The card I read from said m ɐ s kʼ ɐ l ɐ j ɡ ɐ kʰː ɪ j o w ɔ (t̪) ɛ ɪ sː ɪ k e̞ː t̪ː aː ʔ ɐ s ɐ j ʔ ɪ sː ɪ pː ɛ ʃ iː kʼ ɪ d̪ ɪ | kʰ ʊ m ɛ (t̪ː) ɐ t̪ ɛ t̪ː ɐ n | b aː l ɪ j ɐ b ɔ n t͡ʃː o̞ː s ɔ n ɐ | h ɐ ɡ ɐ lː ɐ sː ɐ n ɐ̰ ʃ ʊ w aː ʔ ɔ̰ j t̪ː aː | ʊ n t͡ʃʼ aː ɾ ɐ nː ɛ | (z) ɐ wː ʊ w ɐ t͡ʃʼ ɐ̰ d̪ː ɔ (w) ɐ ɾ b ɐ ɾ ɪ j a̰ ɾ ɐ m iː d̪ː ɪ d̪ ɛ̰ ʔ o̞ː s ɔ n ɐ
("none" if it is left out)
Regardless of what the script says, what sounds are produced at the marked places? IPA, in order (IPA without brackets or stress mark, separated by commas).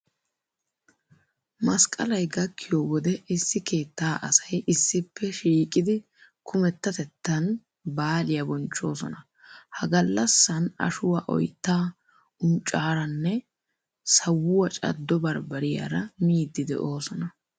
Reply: d̪, t̪ː, s, b